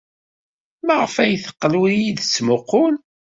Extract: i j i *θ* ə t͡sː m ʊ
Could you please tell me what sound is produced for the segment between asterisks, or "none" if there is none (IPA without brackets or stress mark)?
ð